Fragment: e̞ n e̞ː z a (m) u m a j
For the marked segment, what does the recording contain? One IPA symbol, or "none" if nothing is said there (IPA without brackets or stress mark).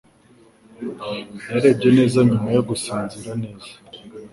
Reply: ɲ